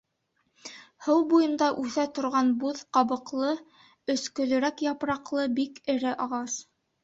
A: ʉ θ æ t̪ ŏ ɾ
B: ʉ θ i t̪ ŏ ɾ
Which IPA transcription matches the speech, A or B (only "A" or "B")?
A